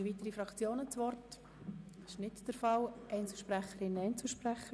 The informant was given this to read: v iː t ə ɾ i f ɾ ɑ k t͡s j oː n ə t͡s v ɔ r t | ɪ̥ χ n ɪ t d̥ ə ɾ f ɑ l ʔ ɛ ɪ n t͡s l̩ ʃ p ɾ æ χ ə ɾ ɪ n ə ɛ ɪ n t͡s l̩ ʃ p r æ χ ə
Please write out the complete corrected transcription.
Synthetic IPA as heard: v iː t ə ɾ i f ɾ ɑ k t͡s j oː n ə t͡s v ɔ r t | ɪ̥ ʃ n ɪ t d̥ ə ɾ f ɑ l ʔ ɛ ɪ n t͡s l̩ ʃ p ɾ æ χ ə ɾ ɪ n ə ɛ ɪ n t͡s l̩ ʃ p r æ χ ə